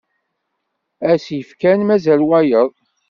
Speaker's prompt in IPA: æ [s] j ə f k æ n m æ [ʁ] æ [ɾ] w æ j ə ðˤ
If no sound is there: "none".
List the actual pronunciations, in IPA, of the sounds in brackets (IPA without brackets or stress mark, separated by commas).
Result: s, z, l